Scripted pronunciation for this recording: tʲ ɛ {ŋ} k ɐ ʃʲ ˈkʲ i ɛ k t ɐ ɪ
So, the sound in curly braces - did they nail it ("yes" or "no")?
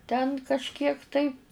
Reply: no